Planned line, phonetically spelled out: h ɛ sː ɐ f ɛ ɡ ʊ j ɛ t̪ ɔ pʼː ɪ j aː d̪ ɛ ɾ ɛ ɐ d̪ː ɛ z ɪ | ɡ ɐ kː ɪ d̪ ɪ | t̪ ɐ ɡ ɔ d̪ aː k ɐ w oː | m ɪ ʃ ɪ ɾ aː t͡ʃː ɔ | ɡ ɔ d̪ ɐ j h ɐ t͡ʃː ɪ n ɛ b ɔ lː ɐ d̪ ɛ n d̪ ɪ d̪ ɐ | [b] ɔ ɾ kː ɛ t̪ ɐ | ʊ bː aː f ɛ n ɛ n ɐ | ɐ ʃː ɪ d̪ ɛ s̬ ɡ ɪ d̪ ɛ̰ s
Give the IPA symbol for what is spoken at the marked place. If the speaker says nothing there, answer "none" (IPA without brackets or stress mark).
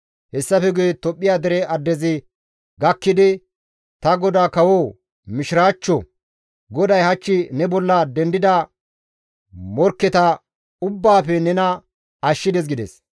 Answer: m